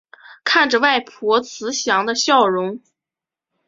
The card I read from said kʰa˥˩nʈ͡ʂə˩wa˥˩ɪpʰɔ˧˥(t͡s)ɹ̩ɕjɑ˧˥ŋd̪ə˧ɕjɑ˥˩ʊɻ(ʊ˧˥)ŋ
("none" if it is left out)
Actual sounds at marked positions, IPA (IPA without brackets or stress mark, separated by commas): t͡sʰ, ʊ˧˥